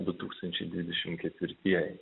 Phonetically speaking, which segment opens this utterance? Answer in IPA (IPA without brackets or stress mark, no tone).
d̪